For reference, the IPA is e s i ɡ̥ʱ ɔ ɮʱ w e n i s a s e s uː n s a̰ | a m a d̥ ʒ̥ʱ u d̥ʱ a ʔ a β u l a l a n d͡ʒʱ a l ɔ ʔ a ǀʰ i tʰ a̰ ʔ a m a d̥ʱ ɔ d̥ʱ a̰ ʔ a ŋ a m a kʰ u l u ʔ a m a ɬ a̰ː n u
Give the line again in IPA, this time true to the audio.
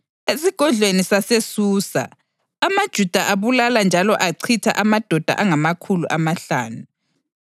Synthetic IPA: e s i ɡ̥ʱ ɔ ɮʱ w e n i s a s e s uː s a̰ | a m a d̥ ʒ̥ʱ u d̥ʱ a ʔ a β u l a l a n d͡ʒʱ a l ɔ ʔ a ǀʰ i tʰ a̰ ʔ a m a d̥ʱ ɔ d̥ʱ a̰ ʔ a ŋ a m a kʰ u l u ʔ a m a ɬ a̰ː n u